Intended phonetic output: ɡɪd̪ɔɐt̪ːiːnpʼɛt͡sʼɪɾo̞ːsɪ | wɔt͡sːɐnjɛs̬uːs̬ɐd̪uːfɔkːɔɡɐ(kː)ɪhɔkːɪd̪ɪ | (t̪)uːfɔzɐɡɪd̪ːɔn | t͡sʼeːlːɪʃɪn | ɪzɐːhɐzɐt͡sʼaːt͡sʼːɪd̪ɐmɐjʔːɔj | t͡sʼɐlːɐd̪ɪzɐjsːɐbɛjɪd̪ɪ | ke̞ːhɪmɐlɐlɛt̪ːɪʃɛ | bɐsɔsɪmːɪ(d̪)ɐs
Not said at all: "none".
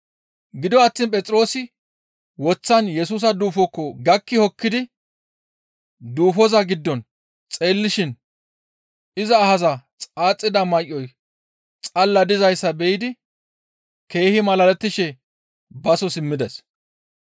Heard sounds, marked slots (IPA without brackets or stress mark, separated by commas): kː, d̪, d̪